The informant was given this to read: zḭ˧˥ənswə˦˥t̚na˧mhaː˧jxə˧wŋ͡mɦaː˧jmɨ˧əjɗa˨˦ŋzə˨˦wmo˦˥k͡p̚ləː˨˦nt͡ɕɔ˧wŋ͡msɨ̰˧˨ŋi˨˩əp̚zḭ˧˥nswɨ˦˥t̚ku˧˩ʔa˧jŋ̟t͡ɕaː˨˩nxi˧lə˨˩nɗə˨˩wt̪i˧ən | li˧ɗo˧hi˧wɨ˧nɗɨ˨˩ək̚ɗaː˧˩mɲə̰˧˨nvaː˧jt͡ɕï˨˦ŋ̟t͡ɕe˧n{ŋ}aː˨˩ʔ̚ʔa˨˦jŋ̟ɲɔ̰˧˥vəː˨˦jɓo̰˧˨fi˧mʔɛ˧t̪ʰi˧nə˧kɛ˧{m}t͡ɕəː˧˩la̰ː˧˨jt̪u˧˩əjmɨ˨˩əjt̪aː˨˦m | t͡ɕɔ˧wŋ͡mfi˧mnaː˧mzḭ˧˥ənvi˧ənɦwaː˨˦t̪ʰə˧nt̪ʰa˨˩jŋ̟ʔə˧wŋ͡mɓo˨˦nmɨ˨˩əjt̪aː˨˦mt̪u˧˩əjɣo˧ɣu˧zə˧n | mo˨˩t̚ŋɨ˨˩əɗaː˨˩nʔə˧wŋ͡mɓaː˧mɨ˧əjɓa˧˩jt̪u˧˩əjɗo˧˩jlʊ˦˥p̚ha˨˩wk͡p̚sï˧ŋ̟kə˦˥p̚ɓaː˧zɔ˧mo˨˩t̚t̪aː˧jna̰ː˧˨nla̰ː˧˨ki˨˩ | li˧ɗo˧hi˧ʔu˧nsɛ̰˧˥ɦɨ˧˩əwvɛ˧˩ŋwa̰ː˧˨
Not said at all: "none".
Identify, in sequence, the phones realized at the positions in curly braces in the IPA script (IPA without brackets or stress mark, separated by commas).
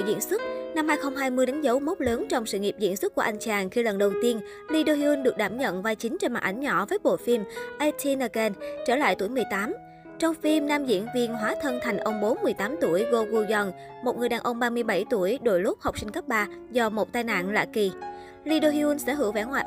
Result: m, n